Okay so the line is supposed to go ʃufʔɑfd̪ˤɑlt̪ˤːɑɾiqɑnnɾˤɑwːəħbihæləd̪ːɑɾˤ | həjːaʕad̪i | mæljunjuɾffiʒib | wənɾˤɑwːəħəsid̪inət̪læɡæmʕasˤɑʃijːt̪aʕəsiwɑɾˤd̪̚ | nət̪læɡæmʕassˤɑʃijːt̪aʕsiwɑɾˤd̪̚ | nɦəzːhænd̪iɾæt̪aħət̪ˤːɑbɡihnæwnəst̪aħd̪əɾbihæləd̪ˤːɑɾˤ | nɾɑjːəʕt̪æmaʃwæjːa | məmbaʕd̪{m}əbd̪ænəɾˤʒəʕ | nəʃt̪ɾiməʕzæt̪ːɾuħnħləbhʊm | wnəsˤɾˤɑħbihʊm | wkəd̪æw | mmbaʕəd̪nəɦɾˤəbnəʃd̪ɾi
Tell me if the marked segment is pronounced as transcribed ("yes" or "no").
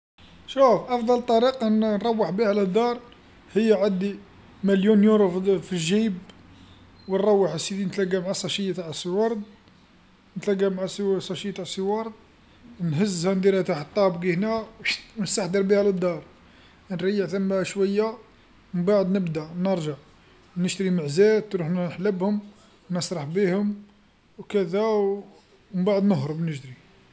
no